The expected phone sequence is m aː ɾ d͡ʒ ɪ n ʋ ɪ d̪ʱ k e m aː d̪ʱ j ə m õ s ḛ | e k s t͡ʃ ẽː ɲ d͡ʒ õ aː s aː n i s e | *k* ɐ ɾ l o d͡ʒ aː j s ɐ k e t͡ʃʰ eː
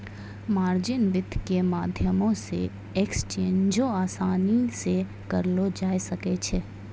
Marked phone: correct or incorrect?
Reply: correct